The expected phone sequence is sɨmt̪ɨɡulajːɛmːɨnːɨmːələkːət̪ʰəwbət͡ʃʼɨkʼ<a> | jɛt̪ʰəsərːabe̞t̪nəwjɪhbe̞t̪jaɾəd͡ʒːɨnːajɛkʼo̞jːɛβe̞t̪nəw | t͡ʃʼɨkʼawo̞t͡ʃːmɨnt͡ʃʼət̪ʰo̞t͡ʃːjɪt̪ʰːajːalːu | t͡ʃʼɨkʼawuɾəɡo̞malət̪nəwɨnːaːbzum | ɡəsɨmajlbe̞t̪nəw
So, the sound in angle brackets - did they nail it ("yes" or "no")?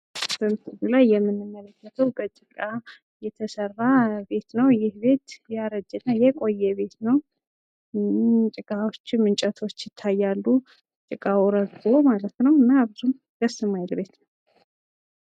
yes